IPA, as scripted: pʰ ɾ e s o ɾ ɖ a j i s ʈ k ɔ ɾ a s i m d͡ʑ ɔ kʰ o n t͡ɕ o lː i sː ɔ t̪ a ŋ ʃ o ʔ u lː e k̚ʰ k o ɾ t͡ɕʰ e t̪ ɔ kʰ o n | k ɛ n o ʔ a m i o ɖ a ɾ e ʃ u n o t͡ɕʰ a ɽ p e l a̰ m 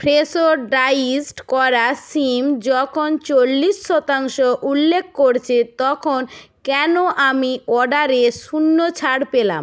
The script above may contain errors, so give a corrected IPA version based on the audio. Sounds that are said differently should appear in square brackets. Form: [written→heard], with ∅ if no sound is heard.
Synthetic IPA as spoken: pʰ ɾ e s o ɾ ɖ a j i s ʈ k ɔ ɾ a s i m d͡ʑ ɔ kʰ o n t͡ɕ o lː i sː ɔ t̪ a ŋ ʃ o ʔ u lː e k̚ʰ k o ɾ t͡ɕʰ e t̪ ɔ kʰ o n | k ɛ n o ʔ a m i [o→ɔ] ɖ a ɾ e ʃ u [n→nː] o t͡ɕʰ a ɽ p e l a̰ m